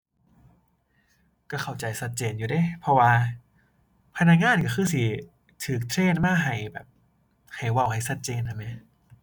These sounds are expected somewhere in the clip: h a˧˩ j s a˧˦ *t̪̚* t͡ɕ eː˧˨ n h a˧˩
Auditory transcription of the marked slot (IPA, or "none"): t̪̚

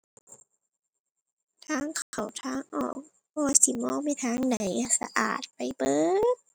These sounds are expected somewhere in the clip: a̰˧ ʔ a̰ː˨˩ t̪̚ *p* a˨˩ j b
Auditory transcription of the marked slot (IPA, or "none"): p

